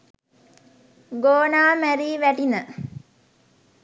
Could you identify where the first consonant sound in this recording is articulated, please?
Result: velar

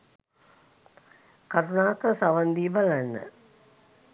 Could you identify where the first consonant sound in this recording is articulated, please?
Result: velar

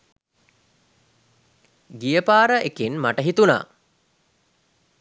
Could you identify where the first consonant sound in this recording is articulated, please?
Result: velar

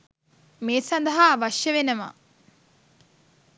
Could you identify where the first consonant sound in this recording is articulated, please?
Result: labial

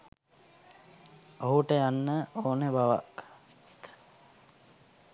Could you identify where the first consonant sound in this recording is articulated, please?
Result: glottal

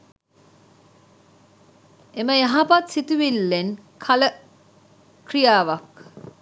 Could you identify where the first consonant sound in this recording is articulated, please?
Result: labial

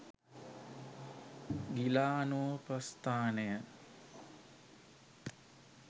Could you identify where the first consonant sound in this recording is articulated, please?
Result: velar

